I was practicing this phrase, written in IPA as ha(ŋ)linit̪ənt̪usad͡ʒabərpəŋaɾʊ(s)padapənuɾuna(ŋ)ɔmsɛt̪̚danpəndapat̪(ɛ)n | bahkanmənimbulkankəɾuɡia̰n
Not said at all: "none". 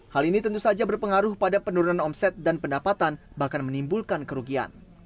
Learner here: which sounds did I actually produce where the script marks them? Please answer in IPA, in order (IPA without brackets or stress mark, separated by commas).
none, h, n, a